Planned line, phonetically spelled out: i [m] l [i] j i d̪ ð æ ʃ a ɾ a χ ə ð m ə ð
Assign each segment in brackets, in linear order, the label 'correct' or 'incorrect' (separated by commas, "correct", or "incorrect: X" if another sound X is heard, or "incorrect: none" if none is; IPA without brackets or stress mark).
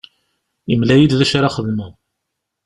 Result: correct, incorrect: æ